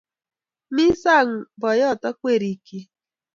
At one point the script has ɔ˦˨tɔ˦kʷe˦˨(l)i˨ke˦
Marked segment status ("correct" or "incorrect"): incorrect